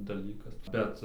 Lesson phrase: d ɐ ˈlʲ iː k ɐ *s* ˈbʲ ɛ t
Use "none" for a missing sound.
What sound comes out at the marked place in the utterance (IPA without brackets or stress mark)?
s